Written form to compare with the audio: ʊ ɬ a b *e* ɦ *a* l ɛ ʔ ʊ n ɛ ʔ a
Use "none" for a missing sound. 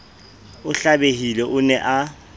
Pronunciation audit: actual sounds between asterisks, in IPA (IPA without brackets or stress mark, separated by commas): e, i